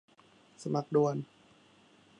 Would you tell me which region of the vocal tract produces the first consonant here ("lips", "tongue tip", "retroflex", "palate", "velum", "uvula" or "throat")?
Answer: tongue tip